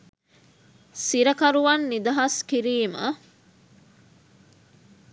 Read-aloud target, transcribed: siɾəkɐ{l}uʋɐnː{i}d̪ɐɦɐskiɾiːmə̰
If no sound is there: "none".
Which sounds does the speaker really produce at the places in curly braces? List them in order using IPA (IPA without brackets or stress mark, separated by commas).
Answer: ɾ, i